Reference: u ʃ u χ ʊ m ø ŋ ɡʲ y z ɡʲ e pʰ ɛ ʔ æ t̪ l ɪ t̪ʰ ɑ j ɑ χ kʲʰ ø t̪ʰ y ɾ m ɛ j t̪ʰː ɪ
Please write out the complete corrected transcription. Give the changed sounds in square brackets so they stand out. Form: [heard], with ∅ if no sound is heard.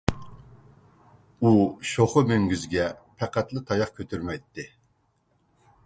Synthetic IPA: u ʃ [o] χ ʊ m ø ŋ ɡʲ y z ɡʲ [ɛ] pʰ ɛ [q] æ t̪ l ɪ t̪ʰ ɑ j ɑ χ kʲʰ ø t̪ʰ y ɾ m ɛ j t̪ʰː ɪ